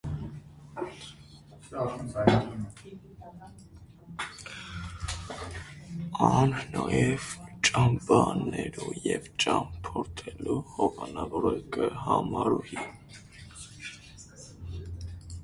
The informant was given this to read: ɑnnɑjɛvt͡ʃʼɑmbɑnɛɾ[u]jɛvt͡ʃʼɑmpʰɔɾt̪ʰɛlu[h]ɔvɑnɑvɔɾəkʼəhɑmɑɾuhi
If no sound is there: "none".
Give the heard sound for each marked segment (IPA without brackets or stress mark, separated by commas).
u, h